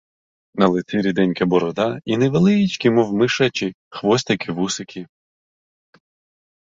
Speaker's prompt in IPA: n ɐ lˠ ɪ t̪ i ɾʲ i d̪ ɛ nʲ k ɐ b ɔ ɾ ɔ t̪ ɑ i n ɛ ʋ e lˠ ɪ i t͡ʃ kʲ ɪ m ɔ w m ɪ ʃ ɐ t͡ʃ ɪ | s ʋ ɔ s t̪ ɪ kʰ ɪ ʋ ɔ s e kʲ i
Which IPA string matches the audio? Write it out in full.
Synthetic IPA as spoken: n ɐ lˠ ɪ t̪ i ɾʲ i d̪ ɛ nʲ k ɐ b ɔ ɾ ɔ d̪ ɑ i n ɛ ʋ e lˠ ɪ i t͡ʃ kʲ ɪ m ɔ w m ɪ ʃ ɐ t͡ʃ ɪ | x ʋ ɔ s t̪ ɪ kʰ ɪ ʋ u s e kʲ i